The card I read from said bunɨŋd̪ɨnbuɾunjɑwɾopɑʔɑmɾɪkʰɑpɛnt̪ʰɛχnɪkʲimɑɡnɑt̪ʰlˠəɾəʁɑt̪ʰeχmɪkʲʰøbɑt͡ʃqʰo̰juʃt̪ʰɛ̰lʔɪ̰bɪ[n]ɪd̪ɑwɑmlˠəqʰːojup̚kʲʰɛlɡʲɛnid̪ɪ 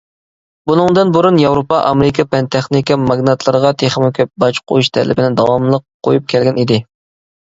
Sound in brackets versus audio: correct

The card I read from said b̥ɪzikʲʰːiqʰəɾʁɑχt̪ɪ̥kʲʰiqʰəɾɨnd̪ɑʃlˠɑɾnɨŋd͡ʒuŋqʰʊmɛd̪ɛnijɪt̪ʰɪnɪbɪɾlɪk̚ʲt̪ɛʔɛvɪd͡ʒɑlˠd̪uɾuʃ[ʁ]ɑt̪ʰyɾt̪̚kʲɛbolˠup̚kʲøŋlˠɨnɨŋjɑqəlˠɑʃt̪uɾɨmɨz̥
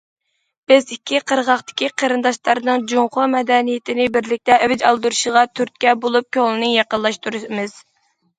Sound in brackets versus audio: correct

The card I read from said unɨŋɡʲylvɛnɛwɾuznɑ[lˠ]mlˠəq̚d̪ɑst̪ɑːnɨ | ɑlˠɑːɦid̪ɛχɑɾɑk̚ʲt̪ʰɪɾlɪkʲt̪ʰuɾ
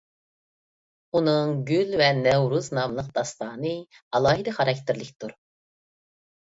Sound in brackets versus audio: incorrect: none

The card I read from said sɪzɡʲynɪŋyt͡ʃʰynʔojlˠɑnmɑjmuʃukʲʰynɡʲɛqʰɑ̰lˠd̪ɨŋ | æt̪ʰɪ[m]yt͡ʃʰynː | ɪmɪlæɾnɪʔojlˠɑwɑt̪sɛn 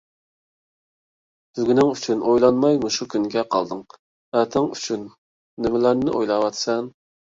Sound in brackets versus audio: incorrect: ŋ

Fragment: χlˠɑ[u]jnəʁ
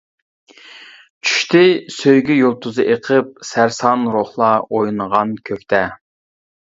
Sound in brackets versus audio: incorrect: o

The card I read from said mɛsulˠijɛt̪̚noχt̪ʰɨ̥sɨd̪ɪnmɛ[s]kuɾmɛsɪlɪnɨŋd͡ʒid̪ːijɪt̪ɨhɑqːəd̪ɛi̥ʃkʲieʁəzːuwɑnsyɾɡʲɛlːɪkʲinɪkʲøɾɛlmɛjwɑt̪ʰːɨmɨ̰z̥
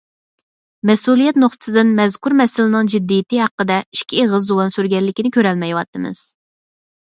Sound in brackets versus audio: incorrect: z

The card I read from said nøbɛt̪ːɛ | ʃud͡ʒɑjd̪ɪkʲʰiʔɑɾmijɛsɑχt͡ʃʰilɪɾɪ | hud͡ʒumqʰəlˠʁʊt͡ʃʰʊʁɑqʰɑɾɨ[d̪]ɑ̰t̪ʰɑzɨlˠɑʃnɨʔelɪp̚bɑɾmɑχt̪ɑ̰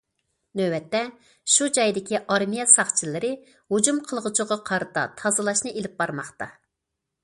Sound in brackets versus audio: incorrect: t̪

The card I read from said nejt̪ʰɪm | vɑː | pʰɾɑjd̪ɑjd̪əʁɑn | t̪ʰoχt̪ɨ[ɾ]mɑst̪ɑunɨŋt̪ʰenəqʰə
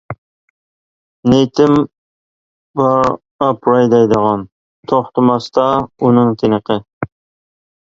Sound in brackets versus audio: incorrect: none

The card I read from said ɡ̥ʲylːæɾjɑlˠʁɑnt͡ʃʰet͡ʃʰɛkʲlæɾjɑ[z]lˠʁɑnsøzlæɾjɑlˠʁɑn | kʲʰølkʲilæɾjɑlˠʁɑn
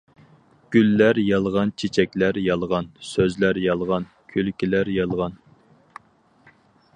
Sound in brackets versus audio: incorrect: none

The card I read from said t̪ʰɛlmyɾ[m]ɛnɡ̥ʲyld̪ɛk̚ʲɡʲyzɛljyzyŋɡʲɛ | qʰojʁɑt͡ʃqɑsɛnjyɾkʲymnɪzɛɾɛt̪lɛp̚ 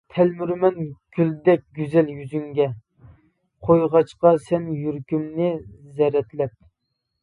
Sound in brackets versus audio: correct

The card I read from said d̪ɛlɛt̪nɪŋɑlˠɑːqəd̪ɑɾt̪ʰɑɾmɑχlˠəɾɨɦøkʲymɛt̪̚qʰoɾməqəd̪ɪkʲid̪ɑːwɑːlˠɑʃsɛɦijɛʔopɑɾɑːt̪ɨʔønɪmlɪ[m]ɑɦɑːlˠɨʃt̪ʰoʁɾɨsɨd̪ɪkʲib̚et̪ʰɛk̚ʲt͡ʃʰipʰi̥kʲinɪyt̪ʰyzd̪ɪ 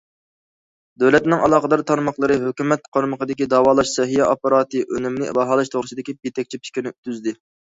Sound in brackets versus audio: incorrect: b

